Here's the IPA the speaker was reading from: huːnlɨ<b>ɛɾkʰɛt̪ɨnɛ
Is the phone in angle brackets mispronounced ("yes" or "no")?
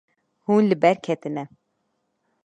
no